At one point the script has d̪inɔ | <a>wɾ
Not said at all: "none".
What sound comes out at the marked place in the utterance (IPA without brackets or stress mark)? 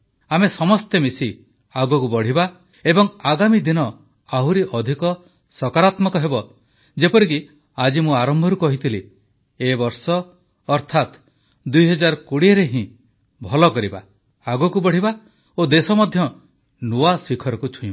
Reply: a